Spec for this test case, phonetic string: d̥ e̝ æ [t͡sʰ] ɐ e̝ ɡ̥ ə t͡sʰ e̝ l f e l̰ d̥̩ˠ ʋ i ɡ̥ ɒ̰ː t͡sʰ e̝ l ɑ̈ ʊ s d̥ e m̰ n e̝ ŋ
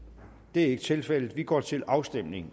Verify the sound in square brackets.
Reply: incorrect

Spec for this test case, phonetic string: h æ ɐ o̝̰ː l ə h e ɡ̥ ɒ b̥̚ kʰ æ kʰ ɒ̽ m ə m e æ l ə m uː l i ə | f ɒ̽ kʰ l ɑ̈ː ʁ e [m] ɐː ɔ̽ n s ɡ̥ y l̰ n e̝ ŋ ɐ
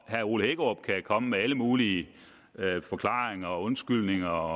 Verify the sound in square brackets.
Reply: incorrect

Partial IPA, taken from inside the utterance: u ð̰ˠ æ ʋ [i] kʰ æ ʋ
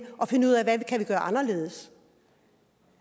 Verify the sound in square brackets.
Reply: incorrect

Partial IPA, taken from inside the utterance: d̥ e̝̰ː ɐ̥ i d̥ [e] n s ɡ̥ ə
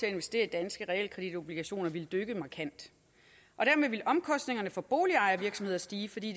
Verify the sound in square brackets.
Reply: incorrect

